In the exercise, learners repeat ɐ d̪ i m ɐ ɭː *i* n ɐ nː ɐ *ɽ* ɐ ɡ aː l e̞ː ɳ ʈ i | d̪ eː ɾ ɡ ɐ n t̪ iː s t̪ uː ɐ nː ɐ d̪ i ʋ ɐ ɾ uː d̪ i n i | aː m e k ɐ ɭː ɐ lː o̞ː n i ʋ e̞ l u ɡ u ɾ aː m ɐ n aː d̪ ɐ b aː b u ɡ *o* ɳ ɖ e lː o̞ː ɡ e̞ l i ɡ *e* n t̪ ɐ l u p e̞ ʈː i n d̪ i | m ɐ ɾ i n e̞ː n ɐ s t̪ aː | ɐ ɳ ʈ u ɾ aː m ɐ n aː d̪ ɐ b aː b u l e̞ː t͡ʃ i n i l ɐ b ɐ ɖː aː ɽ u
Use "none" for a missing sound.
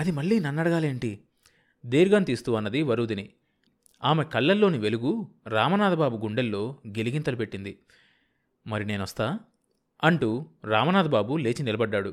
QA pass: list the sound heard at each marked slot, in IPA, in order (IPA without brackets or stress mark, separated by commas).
iː, ɽ, u, i